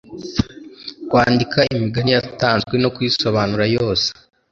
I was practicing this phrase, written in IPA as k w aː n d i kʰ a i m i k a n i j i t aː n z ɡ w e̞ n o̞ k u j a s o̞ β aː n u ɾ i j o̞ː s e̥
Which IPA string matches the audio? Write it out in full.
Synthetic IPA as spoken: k w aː n d i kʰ a i m i ɡ a n i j a t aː n z ɡ w e̞ n o̞ k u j i s o̞ β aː n u ɾ a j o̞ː s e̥